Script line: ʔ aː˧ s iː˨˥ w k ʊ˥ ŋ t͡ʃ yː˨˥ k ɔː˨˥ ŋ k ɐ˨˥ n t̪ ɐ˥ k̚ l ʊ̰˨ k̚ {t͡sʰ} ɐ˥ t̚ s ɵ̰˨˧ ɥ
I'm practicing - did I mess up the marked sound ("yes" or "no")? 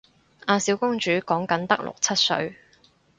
no